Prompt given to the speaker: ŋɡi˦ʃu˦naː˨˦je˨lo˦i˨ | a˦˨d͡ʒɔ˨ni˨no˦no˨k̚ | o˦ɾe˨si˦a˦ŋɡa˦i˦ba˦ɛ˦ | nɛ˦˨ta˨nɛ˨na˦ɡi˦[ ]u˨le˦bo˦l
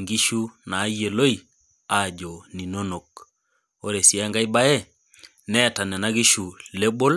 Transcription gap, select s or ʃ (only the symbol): ʃ